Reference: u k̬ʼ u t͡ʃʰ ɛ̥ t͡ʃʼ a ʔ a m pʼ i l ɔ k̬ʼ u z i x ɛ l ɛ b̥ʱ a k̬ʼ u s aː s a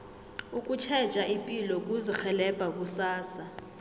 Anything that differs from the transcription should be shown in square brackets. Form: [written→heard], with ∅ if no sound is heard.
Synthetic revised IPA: u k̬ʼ u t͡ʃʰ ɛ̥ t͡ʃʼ a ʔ [a→i] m pʼ i l ɔ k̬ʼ u z i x ɛ l ɛ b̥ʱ a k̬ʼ u s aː s a